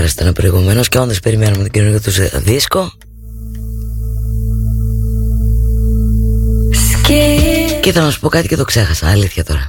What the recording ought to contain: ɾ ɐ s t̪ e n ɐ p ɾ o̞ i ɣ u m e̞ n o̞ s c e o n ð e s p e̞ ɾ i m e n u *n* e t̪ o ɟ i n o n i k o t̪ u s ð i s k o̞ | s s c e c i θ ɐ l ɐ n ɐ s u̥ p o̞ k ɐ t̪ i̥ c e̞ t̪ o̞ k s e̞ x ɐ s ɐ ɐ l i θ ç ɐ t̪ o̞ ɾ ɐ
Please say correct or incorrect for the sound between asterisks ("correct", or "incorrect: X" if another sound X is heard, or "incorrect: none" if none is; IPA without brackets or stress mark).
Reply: incorrect: m